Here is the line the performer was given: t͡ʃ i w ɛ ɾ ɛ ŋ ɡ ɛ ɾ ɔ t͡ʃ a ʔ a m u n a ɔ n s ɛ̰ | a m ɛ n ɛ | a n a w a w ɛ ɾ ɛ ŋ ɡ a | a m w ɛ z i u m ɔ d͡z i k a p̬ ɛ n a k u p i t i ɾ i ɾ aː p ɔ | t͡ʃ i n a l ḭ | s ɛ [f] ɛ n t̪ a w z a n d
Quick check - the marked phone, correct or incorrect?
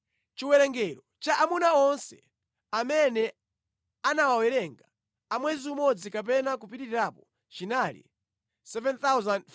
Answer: incorrect